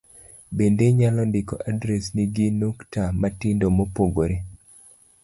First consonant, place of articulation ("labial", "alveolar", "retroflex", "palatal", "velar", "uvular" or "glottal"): labial